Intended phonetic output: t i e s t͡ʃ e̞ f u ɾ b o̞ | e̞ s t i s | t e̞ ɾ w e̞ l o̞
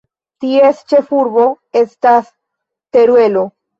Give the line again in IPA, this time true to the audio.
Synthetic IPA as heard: t i e s t͡ʃ e̞ f u ɾ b o̞ | e̞ s t a s | t e̞ ɾ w e̞ l o̞

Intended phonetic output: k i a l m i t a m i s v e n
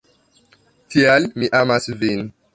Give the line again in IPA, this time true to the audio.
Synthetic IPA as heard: t i a l m i ʔ a m a s v i n

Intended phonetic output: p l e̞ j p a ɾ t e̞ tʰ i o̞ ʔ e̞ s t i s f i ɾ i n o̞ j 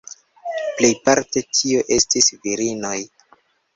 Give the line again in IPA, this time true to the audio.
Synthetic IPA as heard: p l e̞ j p a ɾ t e̞ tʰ i o̞ ʔ e̞ s t i s v i ɾ i n o̞ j

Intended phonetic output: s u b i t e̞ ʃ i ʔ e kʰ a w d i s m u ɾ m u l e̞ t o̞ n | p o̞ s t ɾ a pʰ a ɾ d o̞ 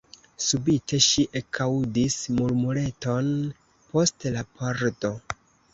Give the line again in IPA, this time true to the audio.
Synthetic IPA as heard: s u b i t e̞ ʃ i ʔ e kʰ a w d i s m u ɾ m u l e̞ t o̞ n | p o̞ s t l a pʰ a ɾ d o̞

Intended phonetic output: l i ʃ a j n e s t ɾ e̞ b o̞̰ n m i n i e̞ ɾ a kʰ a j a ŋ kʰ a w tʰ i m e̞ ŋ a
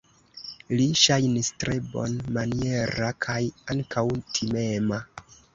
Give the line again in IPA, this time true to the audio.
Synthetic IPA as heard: l i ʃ a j n i s t ɾ e̞ b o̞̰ n m a n i e̞ ɾ a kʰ a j a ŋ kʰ a w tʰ i m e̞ m a

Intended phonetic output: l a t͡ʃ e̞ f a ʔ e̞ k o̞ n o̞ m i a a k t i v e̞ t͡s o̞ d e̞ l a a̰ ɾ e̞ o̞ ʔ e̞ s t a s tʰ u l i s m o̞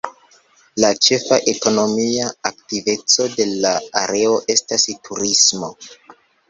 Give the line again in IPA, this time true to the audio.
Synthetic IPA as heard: l a t͡ʃ e̞ f a ʔ e̞ k o̞ n o̞ m i a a k t i v e̞ t͡s o̞ d e̞ l a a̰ ɾ e̞ o̞ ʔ e̞ s t a s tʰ u ɾ i s m o̞

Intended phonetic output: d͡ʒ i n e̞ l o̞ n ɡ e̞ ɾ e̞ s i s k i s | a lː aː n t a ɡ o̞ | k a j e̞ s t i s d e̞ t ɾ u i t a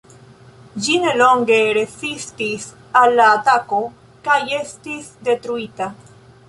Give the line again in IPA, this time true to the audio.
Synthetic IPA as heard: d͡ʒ i n e̞ l o̞ ŋ ɡ e̞ ɾ e̞ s i s t i s | a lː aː t a k o̞ | k a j e̞ s t i s d e̞ t ɾ u i t a

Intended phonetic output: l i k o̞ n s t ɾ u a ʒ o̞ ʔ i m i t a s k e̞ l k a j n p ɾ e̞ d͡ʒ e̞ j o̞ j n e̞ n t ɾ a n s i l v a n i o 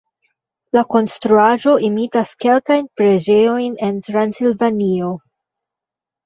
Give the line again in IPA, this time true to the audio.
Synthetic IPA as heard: l a k o̞ n s t ɾ u a ʒ o̞ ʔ i m i t a s k e̞ l k a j n p ɾ e̞ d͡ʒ e̞ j o̞ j n e̞ n t ɾ a n s i l v a n i o

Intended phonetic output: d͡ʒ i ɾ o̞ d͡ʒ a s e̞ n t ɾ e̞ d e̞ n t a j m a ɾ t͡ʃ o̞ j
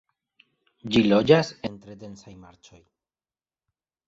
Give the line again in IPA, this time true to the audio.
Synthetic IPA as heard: d͡ʒ i l o̞ d͡ʒ a s e̞ n t ɾ e̞ d e̞ n s a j m a ɾ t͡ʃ o̞ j

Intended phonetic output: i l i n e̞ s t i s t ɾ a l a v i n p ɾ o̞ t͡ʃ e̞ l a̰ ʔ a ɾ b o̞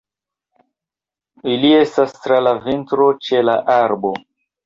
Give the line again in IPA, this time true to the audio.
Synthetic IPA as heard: i l i e̞ s t a s t ɾ a l a v i n t ɾ o̞ t͡ʃ e̞ l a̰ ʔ a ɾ b o̞

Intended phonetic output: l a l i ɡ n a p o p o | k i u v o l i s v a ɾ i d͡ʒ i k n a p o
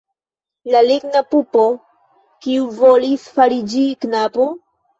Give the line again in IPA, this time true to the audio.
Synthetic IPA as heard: l a l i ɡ n a p u p o | k i u v o l i s f a ɾ i d͡ʒ i k n a p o

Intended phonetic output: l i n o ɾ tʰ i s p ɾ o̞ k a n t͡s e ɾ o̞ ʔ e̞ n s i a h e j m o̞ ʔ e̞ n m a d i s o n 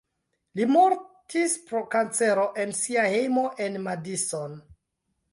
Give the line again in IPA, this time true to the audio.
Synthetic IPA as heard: l i m o ɾ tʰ i s p ɾ o̞ k a n t͡s e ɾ o̞ ʔ e̞ n s i a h e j m o̞ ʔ e̞ n m a d i s o n

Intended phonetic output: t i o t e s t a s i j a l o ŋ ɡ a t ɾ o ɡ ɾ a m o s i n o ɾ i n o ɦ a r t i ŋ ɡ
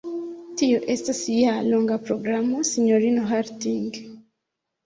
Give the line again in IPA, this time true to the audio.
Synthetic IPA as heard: t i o ʔ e s t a s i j a l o ŋ ɡ a p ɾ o ɡ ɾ a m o s i ɲ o ɾ i n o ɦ a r t i ŋ ɡ

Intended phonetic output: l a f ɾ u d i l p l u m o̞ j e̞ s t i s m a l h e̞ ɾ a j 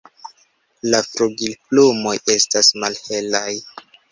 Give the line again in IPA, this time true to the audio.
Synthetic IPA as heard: l a f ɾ u ɡ i l p l u m o̞ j e̞ s t a s m a l h e̞ l a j

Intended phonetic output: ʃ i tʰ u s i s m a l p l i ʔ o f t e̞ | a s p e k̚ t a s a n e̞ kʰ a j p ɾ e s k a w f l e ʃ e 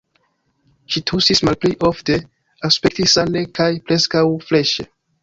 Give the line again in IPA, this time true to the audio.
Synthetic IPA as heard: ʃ i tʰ u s i s m a l p l i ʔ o f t e̞ | a s p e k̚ t i s a n e̞ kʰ a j p ɾ e s k a w f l e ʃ e

